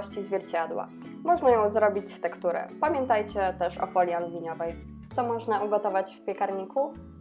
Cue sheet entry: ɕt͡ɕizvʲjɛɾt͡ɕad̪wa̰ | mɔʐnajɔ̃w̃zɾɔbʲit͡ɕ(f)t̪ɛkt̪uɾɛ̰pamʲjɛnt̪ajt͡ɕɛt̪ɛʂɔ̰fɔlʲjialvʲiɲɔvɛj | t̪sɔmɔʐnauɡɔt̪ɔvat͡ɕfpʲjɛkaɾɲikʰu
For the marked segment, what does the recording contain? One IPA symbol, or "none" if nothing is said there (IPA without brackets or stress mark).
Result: s